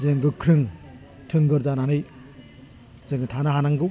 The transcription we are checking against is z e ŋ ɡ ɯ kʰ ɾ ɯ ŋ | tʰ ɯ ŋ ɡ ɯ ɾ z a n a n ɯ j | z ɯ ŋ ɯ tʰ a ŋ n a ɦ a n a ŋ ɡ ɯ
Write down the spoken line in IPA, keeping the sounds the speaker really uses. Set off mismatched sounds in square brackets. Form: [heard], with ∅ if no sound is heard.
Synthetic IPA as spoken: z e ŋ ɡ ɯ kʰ ɾ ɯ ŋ | tʰ ɯ ŋ ɡ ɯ ɾ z a n a n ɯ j | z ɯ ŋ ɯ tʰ a [∅] n a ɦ a n a ŋ ɡ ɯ